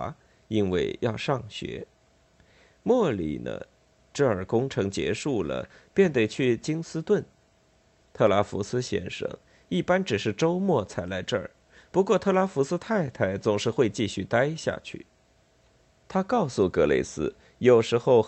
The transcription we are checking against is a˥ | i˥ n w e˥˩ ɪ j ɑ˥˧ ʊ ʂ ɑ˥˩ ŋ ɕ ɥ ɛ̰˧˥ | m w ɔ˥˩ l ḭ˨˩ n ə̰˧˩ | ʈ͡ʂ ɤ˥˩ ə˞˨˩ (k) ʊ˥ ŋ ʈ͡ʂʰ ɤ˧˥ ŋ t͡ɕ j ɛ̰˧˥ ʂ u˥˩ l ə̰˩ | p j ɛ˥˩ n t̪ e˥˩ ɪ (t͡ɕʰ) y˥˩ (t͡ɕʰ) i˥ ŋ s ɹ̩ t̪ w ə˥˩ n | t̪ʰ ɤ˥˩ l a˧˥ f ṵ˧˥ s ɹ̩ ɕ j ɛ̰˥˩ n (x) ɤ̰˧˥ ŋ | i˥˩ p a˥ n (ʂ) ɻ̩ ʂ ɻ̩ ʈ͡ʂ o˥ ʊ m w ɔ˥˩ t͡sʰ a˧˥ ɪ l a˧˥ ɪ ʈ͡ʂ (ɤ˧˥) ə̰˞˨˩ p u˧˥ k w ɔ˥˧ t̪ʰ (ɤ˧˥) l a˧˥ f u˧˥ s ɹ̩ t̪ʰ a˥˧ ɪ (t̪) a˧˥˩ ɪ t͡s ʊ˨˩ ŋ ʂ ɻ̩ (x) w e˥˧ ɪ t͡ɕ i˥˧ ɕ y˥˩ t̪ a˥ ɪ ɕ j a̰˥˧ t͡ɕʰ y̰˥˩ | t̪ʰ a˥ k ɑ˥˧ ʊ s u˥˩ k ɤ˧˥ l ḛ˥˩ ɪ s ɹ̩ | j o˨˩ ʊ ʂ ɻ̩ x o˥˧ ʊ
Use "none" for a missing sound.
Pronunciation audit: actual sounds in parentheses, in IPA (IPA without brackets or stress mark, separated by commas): k, t͡ɕʰ, t͡ɕ, ʂ, ʈ͡ʂ, ɤ˥˩, ɤ˥˩, t̪ʰ, x